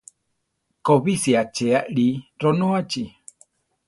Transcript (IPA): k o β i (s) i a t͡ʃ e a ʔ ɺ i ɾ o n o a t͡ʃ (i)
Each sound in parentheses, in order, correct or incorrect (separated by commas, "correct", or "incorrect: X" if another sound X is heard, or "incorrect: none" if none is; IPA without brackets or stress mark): correct, correct